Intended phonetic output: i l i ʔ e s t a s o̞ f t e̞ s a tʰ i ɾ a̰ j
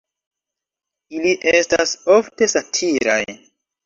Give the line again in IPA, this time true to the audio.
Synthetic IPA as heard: i l i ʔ e s t a s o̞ f t e̞ s a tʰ i ɾ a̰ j

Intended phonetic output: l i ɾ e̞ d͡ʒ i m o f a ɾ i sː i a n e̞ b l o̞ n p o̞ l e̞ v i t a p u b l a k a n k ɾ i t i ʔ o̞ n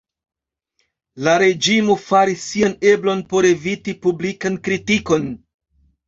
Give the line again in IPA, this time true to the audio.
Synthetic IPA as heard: l a ɾ e̞ d͡ʒ i m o f a ɾ i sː i a n e̞ b l o̞ n p o̞ ɾ e̞ v i t i p u b l i k a n k ɾ i t i k o̞ n

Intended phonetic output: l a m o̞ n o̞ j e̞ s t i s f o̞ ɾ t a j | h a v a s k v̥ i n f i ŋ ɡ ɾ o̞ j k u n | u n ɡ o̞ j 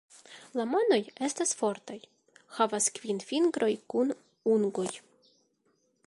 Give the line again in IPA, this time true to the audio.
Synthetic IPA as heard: l a m o̞ n o̞ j e̞ s t a s f o̞ ɾ t a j | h a v a s k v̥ i n f i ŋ ɡ ɾ o̞ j k u n | u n ɡ o̞ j

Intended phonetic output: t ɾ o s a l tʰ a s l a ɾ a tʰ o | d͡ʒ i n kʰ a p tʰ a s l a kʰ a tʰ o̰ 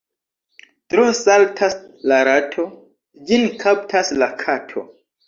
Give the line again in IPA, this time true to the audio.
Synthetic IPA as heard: t ɾ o s a l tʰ a s l a ɾ a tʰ o | d͡ʒ i n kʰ a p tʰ a s l a kʰ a tʰ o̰

